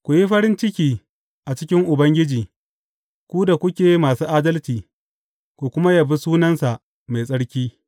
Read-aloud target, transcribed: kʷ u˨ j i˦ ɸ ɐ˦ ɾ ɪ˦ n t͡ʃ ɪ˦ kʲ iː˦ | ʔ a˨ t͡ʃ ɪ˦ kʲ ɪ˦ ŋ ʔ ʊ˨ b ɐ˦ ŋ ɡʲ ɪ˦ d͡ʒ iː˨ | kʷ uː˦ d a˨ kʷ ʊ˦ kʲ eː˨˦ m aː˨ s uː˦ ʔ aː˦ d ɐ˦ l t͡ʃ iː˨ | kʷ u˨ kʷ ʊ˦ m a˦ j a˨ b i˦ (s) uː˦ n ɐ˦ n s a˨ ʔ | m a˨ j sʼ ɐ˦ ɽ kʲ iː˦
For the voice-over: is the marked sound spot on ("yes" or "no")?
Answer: yes